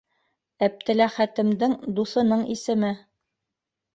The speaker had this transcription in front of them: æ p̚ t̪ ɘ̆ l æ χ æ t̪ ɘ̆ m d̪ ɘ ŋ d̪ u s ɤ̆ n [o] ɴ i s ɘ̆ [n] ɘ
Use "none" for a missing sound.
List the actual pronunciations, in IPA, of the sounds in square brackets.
ɤ, m

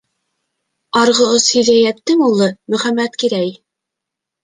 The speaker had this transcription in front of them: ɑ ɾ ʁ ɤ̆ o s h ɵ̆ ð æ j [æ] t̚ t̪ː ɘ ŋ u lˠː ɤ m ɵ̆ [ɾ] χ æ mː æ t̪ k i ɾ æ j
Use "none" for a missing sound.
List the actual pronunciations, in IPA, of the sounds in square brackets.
æ, none

